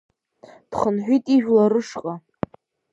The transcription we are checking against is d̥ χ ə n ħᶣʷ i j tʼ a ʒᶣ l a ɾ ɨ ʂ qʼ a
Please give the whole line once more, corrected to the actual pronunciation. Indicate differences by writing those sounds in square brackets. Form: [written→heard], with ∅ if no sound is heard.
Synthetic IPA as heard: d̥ χ ə n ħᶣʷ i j tʼ [a→i] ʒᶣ l a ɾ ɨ ʂ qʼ a